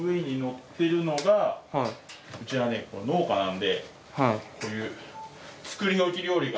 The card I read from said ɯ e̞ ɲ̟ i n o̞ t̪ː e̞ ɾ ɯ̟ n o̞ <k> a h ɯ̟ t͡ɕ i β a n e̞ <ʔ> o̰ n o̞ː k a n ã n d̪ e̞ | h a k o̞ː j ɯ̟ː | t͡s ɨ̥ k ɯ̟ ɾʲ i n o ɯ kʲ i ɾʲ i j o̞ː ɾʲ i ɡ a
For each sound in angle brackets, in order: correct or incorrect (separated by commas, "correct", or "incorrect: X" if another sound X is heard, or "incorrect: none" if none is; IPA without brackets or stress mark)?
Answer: incorrect: ɡ, incorrect: k